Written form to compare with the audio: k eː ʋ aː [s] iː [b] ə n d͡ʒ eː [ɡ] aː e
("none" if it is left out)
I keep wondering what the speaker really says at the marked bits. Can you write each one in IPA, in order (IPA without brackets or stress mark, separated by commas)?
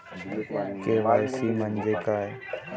s, m, k